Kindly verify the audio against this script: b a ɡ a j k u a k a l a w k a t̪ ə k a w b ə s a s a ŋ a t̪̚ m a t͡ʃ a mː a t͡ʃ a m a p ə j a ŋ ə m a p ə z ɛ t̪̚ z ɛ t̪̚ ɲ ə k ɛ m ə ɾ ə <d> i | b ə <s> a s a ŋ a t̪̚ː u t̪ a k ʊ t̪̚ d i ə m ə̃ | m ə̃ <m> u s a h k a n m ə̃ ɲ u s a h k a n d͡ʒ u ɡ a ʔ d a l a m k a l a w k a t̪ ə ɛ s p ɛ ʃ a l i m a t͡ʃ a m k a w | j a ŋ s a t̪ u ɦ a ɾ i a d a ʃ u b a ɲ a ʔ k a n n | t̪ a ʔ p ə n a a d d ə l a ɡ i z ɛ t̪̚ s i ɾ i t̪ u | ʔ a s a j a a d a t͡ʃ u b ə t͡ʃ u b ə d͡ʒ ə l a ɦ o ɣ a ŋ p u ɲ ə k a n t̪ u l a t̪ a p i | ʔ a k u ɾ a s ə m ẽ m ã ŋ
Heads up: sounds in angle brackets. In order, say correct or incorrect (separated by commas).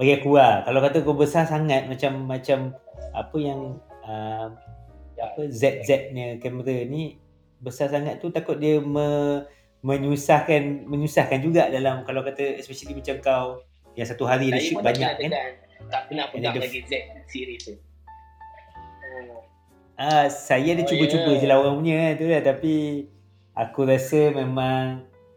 incorrect, correct, incorrect